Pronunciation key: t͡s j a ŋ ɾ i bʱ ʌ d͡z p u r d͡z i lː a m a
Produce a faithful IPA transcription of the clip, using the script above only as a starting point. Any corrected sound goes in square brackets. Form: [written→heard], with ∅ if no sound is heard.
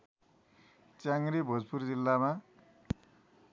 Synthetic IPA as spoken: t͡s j a ŋ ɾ i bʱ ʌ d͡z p u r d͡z i lː a m a